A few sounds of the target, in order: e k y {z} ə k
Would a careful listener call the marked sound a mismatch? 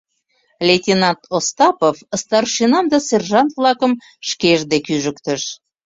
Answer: yes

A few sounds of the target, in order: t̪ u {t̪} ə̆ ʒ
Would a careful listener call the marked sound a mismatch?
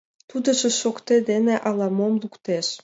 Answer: yes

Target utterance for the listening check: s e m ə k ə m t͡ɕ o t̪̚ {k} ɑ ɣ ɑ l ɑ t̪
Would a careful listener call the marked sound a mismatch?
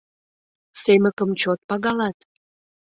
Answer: yes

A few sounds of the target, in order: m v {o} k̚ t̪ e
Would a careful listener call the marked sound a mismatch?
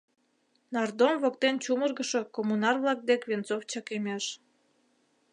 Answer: no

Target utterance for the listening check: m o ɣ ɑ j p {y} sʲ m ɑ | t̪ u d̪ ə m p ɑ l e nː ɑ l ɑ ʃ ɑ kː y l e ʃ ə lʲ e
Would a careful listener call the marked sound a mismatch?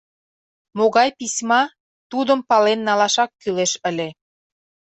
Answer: yes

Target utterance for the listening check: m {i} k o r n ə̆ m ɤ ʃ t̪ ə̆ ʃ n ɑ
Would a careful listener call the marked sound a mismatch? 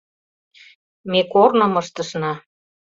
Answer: yes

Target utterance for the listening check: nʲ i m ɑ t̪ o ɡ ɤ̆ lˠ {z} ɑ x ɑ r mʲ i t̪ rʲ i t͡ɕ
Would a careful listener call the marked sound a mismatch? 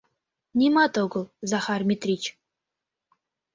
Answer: no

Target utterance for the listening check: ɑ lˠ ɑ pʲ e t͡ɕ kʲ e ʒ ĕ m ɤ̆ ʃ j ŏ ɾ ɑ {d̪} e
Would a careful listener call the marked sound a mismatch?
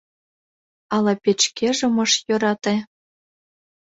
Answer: yes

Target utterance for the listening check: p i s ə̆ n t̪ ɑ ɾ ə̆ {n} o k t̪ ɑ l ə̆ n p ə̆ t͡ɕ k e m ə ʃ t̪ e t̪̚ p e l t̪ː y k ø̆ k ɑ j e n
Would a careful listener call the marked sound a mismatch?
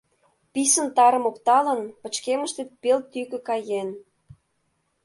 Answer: yes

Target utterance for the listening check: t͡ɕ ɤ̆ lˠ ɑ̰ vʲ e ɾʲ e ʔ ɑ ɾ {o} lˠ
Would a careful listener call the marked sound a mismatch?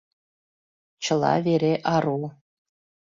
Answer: yes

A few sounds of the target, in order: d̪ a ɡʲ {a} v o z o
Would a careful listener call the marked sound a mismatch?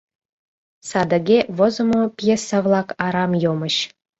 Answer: yes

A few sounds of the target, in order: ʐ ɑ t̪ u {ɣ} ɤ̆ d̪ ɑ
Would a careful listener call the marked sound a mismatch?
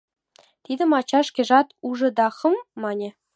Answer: yes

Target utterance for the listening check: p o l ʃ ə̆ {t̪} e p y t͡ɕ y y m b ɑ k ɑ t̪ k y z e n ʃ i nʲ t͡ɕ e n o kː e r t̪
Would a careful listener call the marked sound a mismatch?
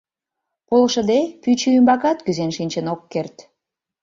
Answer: yes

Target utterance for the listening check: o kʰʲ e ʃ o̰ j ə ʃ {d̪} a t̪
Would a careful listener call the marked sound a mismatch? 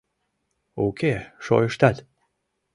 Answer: yes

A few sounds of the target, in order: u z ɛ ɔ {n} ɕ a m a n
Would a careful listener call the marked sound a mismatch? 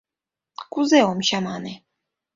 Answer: yes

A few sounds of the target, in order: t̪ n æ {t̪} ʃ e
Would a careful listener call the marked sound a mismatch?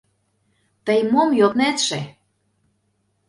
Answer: no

